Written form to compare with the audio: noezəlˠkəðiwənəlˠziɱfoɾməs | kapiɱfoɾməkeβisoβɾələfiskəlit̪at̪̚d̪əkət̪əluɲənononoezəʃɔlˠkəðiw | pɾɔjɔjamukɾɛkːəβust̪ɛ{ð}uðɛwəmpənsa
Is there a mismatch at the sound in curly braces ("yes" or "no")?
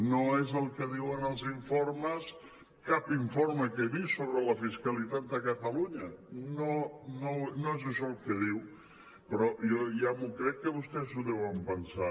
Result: yes